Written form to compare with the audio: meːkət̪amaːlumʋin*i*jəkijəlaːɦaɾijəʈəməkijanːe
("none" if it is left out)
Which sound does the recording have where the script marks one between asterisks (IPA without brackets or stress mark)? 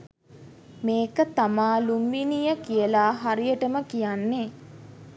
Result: i